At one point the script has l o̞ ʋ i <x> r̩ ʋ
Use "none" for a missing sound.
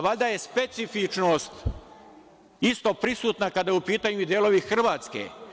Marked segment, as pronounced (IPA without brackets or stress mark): x